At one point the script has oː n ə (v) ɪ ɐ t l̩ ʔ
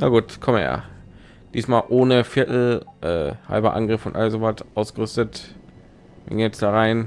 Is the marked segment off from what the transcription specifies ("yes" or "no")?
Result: yes